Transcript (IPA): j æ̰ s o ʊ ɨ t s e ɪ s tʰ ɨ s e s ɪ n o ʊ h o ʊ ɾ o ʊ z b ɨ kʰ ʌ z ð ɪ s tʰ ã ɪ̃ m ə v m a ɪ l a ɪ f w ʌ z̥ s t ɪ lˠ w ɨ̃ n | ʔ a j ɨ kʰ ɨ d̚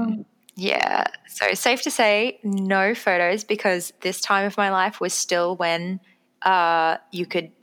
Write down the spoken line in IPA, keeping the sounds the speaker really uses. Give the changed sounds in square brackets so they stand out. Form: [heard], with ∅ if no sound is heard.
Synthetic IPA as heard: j æ̰ s o ʊ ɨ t s e ɪ [f] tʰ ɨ s e [∅] ɪ n o ʊ [f] o ʊ ɾ o ʊ z b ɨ kʰ ʌ z ð ɪ s tʰ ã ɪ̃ m [ʌ] v m a ɪ l a ɪ f w ʌ z̥ s t ɪ lˠ w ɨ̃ n | ʔ [ʌ] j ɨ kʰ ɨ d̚